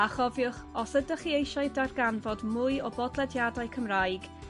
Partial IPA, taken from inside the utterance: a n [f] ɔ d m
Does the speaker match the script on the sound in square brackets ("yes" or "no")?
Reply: no